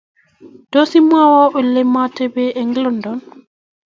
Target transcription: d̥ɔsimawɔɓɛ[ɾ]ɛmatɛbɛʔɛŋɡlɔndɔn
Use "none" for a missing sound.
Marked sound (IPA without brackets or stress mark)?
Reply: l